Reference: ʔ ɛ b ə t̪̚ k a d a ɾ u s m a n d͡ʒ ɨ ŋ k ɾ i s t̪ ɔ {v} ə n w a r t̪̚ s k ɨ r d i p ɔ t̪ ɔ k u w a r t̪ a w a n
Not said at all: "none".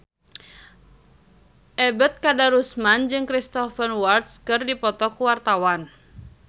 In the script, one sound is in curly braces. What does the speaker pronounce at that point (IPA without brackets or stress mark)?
f